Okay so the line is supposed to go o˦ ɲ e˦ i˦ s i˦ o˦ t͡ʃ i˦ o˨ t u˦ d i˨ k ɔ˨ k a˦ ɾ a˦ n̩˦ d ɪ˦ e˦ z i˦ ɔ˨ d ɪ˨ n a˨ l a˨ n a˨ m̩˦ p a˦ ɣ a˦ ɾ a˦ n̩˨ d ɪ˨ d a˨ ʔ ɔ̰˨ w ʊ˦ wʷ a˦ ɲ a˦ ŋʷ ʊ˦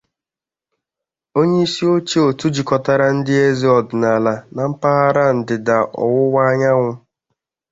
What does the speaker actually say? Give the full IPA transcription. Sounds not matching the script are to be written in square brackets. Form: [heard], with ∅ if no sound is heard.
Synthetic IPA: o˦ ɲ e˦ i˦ s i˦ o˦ t͡ʃ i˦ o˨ t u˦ [d͡ʒ] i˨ k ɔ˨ [t] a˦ ɾ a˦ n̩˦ d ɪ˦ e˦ z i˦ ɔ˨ d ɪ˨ n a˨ l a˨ n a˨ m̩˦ p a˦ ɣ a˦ ɾ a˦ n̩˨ d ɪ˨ d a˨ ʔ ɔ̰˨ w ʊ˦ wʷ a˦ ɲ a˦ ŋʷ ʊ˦

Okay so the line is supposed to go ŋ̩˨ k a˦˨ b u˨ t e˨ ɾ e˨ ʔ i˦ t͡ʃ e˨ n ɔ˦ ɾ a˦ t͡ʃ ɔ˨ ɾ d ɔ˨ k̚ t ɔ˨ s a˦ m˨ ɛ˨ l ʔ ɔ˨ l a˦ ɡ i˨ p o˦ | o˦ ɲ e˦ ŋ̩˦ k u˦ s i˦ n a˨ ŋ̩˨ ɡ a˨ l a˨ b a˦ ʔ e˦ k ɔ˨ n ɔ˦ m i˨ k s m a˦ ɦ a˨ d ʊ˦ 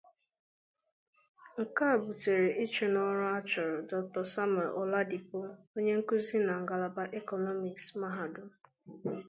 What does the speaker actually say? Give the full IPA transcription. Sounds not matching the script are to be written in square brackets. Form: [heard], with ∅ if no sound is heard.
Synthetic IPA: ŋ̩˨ k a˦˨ b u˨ t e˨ ɾ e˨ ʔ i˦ t͡ʃ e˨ n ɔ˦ ɾ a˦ t͡ʃ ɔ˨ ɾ d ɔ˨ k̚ t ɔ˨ s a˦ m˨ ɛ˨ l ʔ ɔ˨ l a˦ [d] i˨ p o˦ | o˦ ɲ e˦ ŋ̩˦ k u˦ [z] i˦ n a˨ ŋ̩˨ ɡ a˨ l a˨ b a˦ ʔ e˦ k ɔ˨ n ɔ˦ m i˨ k s m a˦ ɦ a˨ d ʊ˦

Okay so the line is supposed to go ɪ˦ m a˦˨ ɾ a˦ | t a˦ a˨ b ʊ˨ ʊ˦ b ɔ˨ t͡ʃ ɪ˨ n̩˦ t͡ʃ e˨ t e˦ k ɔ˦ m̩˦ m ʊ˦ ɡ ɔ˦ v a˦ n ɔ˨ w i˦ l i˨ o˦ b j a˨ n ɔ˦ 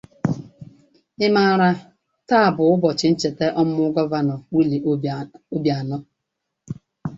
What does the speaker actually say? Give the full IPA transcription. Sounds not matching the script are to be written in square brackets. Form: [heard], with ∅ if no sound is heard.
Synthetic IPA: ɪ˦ m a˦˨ ɾ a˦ | t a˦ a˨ b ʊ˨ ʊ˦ b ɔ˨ t͡ʃ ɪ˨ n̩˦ t͡ʃ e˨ t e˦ [ʔ] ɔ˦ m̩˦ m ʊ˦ ɡ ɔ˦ v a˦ n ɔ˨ w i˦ l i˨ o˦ b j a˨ n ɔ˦

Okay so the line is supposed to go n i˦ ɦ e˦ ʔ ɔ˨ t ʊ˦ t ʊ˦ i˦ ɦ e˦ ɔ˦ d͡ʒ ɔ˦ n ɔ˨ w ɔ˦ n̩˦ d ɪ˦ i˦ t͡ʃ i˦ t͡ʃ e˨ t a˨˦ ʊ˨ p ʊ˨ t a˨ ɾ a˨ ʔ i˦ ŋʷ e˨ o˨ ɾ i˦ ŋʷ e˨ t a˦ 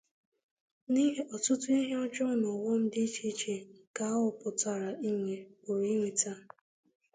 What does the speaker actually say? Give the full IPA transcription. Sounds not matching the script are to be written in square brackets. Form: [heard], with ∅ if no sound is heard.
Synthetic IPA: n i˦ ɦ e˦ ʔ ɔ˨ t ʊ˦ t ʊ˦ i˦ ɦ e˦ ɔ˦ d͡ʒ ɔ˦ n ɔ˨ w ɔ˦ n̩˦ d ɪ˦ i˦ t͡ʃ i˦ t͡ʃ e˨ [k] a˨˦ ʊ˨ p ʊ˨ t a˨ ɾ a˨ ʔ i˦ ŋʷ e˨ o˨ ɾ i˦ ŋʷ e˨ t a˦

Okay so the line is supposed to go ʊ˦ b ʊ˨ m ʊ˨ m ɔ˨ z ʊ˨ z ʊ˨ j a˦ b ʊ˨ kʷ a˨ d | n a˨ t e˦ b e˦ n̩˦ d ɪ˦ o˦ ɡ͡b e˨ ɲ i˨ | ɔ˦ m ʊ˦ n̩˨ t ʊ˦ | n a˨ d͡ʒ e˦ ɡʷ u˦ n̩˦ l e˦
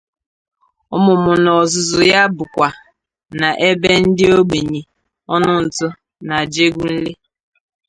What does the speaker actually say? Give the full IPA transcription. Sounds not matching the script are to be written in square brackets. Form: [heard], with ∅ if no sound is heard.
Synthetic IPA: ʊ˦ [m] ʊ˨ m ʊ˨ [n] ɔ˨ z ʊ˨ z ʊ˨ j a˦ b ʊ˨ kʷ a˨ [∅] | n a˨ [ʔ] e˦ b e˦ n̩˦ d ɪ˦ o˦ ɡ͡b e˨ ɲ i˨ | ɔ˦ [n] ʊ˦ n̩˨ t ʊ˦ | n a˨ d͡ʒ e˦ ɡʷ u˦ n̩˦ l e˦

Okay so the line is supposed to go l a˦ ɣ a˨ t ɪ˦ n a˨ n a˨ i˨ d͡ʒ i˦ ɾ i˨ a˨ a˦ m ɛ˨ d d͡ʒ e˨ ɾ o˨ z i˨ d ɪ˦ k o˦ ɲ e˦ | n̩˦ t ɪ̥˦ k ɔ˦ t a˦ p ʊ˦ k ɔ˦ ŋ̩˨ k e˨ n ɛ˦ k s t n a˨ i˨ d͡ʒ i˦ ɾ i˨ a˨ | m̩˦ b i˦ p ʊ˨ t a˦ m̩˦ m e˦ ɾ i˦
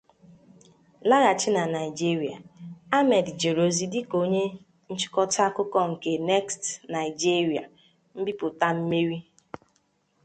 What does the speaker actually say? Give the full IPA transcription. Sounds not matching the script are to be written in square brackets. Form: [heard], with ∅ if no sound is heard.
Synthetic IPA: l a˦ ɣ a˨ [t͡ʃ] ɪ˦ n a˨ n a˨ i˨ d͡ʒ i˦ ɾ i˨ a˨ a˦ m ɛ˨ d d͡ʒ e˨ ɾ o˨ z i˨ d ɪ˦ k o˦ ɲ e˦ | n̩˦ [t͡ʃ] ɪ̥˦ k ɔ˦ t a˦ [k] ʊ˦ k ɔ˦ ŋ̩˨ k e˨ n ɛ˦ k s t n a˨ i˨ d͡ʒ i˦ ɾ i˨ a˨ | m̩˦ b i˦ p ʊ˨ t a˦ m̩˦ m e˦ ɾ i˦

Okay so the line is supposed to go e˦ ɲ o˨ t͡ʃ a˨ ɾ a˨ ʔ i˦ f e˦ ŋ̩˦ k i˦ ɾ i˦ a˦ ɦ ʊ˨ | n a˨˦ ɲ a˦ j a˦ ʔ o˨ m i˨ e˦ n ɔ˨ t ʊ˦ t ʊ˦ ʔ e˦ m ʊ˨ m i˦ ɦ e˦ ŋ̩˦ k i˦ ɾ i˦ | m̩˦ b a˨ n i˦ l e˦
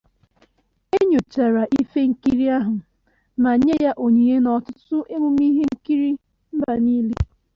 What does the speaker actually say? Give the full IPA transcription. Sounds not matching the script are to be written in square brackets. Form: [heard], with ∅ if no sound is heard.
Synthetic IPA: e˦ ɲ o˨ t͡ʃ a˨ ɾ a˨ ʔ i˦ f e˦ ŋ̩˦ k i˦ ɾ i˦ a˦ ɦ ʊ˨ | n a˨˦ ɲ [e˦] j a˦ ʔ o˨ [ɲ] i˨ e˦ n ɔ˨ t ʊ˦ t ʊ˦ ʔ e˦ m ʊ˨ m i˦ ɦ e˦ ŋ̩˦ k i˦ ɾ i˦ | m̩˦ b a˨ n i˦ l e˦

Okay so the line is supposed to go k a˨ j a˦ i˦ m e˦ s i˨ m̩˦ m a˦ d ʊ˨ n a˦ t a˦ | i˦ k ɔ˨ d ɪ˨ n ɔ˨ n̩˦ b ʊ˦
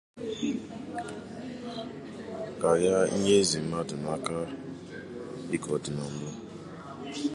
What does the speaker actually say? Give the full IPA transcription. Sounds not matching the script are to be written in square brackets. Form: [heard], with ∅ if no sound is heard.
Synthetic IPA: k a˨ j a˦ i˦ [ɲ] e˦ [z] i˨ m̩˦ m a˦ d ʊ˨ n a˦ [k] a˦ | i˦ k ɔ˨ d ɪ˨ n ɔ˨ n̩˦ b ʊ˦

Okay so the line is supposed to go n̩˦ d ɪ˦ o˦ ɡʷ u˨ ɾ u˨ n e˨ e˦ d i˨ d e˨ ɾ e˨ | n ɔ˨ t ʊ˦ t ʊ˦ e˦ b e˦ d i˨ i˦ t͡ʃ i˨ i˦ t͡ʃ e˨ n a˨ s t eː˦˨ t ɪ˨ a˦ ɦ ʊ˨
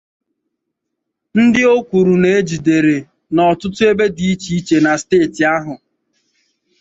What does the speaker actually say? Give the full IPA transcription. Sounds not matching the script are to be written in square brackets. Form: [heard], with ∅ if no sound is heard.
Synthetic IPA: n̩˦ d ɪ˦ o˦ [kʷ] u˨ ɾ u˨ n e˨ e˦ [d͡ʒ] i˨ d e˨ ɾ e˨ | n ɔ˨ t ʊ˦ t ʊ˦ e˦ b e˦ d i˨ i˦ t͡ʃ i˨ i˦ t͡ʃ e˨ n a˨ s t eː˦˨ t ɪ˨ a˦ ɦ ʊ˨

